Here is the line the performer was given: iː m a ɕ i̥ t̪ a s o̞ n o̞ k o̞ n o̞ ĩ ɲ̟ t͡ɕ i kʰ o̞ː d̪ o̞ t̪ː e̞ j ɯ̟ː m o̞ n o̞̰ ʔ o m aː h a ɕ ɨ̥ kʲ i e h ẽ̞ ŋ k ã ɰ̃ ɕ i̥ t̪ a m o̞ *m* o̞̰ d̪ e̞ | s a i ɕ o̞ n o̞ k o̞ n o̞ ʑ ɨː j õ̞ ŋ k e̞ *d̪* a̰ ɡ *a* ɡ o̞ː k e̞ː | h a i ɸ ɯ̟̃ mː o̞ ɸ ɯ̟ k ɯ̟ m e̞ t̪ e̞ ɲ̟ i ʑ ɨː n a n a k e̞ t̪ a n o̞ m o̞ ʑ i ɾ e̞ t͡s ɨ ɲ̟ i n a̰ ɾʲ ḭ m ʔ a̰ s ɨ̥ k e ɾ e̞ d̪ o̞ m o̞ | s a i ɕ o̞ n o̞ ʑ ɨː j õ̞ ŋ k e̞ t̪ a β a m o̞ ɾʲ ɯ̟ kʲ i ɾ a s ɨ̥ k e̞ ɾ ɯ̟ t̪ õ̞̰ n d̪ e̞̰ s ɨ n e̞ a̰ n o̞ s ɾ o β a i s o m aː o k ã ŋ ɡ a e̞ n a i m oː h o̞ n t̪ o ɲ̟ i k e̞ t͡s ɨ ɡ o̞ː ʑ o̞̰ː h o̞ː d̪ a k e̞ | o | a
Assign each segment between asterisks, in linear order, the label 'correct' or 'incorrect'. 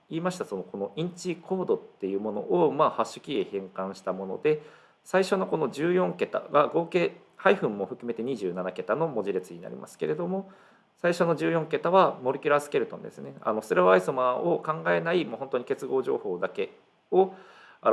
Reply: incorrect, incorrect, correct

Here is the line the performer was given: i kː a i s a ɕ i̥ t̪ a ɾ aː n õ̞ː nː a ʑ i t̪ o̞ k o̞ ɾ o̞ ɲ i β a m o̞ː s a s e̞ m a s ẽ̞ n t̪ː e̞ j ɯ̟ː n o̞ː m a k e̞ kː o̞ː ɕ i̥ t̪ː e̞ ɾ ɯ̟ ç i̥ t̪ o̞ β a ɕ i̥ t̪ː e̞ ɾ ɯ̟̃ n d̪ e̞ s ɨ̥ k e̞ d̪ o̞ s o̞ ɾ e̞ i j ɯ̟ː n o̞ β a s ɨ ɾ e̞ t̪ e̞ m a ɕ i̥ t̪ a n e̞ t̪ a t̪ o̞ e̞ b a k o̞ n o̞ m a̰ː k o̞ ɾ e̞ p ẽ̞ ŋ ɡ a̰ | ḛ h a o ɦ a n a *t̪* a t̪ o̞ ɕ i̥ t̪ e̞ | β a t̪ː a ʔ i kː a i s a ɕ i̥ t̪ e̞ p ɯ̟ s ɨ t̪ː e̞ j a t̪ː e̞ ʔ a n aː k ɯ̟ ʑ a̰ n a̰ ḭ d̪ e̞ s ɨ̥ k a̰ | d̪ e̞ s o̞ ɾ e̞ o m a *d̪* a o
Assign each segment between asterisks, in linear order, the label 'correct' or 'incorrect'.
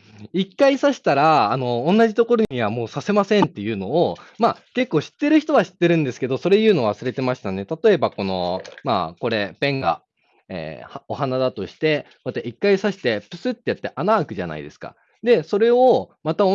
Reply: incorrect, incorrect

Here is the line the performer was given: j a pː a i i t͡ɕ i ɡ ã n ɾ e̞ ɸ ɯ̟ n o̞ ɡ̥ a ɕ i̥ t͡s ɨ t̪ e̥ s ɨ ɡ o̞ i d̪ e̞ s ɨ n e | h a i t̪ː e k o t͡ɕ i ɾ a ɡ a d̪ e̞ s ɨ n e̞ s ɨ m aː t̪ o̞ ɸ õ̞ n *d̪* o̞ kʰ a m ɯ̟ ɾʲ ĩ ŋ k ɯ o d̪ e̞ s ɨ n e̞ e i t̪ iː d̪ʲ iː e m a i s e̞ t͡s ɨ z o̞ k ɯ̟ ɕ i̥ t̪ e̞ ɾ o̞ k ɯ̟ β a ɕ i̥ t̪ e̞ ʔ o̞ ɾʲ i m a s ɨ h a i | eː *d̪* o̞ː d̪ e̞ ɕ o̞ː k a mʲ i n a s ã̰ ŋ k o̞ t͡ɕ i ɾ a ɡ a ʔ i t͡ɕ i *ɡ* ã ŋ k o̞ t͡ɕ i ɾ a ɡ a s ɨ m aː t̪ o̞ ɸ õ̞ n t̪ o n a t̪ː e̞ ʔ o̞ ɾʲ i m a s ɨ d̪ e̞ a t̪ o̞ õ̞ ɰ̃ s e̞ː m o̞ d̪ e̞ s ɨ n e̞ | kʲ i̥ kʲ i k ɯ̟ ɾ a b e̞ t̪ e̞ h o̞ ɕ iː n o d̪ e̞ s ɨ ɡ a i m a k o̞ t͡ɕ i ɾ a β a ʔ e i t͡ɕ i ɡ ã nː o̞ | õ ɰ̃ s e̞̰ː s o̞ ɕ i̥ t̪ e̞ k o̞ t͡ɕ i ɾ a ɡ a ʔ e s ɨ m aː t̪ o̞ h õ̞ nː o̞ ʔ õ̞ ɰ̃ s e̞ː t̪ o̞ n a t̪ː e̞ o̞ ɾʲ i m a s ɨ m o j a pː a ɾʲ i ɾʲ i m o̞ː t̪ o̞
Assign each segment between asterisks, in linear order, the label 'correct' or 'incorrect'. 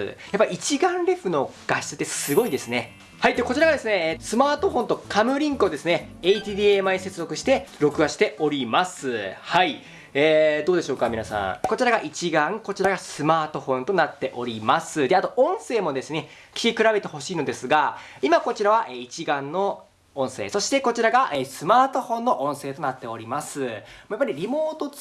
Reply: incorrect, correct, correct

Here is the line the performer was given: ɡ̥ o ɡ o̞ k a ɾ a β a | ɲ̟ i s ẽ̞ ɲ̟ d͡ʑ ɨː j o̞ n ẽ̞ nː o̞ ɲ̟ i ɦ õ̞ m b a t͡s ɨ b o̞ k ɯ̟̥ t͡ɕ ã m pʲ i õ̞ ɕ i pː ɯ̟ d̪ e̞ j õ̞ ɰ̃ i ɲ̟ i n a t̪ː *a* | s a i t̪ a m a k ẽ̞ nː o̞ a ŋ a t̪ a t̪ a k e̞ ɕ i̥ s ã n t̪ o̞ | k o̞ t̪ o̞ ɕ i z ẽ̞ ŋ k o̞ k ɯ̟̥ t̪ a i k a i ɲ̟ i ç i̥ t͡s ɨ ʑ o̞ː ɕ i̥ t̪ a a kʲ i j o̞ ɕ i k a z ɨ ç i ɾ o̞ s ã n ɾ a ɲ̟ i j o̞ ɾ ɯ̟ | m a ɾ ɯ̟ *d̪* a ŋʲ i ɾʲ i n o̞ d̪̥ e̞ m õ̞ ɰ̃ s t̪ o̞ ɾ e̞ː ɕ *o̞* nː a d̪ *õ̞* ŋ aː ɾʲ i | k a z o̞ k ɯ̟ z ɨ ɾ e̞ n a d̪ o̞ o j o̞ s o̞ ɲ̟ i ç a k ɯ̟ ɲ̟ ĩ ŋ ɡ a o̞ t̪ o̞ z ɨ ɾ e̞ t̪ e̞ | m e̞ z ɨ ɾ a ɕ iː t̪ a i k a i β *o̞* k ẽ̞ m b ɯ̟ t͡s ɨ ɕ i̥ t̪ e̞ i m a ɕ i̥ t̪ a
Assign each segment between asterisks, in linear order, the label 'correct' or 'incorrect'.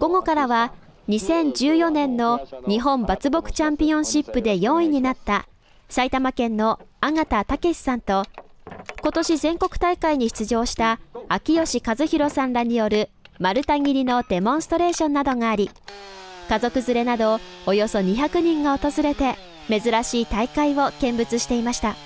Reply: correct, incorrect, incorrect, incorrect, correct

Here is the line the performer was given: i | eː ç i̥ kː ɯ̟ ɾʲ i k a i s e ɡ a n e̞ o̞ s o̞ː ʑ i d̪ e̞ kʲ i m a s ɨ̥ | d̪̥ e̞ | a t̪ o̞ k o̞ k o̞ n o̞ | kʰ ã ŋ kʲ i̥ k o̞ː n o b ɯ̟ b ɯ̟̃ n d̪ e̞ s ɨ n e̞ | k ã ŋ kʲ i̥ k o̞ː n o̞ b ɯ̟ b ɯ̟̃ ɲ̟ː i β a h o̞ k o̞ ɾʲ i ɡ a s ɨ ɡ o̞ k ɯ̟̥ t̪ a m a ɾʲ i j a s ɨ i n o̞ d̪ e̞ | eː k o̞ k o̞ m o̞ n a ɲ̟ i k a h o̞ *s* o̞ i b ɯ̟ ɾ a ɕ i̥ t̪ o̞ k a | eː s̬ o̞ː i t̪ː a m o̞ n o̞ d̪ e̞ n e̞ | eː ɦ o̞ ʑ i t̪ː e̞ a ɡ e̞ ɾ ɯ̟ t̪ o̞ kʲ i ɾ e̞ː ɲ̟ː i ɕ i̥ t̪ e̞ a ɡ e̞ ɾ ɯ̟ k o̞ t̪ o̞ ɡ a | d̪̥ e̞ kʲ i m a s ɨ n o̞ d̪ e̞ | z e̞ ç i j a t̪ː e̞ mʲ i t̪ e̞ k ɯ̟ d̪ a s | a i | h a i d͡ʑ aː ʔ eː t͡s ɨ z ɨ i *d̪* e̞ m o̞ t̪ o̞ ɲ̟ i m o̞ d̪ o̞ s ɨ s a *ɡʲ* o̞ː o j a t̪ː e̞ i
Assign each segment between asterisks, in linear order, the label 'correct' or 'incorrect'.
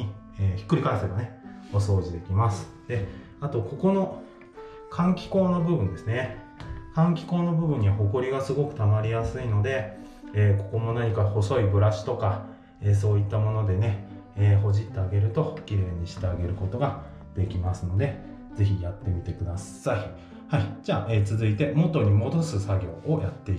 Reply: correct, incorrect, correct

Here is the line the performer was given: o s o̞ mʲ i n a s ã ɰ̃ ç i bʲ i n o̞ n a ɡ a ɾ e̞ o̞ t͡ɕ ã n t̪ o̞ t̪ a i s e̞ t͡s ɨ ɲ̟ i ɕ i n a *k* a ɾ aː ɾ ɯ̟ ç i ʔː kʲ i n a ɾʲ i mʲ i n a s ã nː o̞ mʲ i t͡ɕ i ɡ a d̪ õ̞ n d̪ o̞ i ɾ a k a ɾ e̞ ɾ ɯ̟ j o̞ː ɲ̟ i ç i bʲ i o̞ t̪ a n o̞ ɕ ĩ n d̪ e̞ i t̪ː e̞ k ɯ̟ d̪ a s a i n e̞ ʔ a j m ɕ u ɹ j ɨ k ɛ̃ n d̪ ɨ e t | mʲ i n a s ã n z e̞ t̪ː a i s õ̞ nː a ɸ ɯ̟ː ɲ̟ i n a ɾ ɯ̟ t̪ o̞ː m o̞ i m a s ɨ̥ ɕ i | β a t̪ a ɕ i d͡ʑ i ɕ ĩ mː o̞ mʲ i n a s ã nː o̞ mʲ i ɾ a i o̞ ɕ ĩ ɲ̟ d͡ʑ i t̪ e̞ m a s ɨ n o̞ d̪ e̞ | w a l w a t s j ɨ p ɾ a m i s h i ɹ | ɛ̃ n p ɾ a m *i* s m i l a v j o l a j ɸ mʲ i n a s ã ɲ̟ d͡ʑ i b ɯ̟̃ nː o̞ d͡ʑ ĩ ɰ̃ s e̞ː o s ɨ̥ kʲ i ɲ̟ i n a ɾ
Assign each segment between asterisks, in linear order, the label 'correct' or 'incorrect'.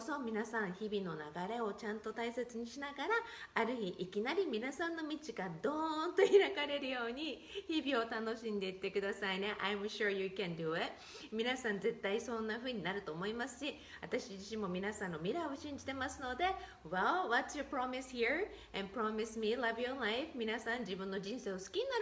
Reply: incorrect, correct

